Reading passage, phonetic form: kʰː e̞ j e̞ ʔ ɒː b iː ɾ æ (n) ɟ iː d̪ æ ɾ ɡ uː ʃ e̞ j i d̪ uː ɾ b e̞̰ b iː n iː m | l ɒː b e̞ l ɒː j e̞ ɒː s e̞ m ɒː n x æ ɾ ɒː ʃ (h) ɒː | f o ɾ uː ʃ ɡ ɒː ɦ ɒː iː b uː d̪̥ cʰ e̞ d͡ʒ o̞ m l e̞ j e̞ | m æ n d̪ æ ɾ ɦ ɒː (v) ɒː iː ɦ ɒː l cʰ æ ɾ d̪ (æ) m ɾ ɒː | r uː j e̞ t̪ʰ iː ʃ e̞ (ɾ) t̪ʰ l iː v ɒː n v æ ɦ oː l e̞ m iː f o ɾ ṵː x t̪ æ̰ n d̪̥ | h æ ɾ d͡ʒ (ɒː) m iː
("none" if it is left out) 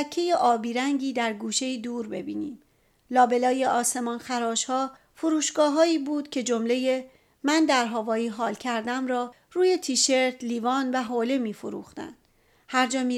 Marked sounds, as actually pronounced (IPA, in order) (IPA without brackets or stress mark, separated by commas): ŋ, h, v, æ, ɾ, ɒː